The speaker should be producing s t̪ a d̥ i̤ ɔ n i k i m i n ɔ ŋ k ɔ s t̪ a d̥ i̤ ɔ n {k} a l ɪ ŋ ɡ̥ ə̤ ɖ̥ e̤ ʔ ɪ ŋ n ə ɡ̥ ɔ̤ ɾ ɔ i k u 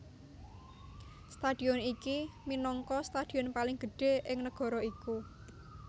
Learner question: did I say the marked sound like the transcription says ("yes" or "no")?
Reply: no